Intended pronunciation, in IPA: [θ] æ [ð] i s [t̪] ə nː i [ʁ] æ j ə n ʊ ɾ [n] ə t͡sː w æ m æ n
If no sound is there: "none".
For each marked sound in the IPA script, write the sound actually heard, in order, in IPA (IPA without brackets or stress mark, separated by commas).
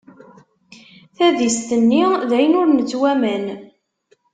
θ, ð, t̪, ð, n